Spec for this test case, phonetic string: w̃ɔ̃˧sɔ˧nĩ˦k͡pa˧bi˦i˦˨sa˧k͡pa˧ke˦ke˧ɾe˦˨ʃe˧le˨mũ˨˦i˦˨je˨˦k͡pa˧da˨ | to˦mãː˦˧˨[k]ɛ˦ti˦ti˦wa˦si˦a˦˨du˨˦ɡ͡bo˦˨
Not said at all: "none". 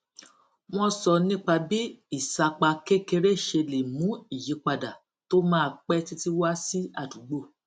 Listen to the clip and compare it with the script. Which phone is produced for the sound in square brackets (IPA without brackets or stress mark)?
k͡p